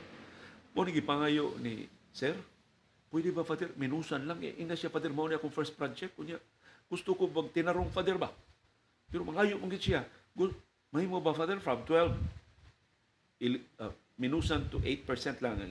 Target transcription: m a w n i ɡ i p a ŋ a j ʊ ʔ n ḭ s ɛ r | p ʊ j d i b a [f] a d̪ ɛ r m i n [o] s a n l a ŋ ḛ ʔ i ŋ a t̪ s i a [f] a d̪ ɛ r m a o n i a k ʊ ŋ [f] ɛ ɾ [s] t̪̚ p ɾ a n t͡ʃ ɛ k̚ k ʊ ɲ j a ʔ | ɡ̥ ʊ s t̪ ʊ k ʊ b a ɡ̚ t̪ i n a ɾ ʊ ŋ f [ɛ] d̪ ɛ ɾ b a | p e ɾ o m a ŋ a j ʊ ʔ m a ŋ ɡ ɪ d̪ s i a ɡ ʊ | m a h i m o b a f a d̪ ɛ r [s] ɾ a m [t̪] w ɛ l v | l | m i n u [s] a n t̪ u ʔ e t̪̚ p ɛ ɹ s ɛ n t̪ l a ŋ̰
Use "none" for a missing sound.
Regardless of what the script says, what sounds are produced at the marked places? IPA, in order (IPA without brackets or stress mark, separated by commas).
f, u, f, f, s, a, f, t̪, s